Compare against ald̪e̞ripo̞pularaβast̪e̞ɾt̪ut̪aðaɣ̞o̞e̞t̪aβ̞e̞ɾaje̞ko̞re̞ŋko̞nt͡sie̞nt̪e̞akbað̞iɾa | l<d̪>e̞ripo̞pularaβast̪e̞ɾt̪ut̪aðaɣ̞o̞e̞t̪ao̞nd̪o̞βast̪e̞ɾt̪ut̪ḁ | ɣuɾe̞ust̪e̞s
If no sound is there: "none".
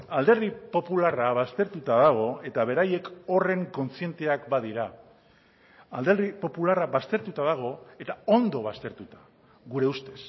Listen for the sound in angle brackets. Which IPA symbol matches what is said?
d̪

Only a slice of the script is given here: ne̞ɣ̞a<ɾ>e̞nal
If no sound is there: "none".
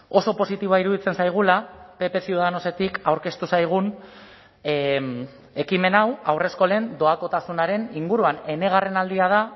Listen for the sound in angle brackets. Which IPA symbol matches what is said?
r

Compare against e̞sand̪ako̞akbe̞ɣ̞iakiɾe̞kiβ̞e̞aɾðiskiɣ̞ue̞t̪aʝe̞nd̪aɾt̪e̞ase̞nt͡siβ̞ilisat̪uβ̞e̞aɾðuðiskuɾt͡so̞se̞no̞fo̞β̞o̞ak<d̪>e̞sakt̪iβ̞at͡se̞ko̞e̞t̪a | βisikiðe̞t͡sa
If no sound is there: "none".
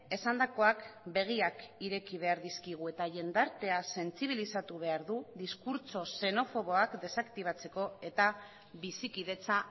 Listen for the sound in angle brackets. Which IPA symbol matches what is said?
d̪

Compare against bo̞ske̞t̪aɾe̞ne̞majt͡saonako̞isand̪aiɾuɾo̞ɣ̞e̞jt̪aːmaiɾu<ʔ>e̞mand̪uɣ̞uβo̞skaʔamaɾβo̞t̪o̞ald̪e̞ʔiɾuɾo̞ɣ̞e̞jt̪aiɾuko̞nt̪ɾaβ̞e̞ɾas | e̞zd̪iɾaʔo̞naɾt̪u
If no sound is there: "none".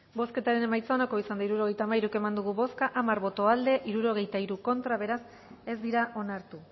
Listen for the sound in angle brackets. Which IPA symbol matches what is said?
k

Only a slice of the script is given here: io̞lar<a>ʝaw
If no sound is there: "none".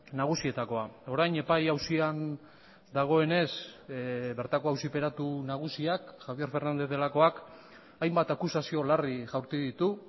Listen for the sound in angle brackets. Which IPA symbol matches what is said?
i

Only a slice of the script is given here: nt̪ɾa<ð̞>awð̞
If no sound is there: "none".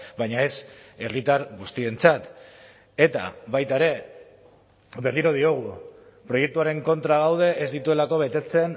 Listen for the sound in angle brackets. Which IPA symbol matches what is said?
ɣ̞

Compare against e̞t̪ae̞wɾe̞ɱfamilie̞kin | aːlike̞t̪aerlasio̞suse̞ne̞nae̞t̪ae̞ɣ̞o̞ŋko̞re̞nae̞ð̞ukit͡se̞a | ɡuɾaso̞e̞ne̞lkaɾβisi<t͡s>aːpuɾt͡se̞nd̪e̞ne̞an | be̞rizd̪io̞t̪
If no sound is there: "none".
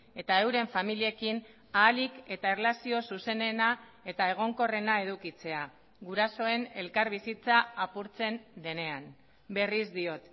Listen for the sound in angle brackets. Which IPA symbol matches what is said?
t͡s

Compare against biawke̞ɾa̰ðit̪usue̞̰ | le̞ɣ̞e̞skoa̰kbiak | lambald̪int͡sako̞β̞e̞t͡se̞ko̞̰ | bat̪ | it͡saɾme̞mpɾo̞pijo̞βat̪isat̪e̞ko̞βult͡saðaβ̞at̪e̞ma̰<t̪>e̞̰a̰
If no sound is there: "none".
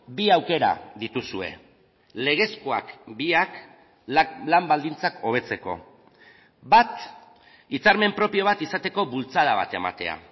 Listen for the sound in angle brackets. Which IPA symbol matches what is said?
t̪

